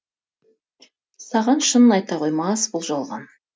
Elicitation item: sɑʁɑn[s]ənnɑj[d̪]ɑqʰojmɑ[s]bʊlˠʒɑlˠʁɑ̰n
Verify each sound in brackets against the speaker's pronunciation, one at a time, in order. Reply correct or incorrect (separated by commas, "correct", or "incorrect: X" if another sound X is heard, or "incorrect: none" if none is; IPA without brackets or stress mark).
incorrect: ʃ, incorrect: t̪, correct